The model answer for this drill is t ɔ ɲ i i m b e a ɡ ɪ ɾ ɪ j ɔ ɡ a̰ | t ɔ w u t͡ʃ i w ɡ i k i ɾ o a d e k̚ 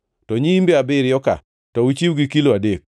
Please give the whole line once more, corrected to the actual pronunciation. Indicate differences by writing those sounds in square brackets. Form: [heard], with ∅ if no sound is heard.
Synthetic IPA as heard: t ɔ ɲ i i m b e a [b] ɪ ɾ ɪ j ɔ [k] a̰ | t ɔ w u t͡ʃ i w ɡ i k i [l] o a d e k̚